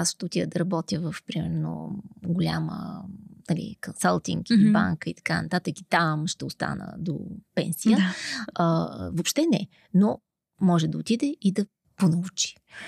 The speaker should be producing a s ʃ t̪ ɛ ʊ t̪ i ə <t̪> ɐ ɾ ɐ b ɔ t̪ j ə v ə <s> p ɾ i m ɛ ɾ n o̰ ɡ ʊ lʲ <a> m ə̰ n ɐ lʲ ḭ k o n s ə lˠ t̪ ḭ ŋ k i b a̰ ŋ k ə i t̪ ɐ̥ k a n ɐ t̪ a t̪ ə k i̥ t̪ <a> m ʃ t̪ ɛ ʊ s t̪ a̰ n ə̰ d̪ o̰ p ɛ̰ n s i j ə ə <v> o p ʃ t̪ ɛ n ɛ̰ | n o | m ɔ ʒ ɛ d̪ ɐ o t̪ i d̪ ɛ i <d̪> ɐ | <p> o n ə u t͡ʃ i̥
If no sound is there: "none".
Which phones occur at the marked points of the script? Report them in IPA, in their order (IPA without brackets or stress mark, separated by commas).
d̪, f, a, a, v, d̪, p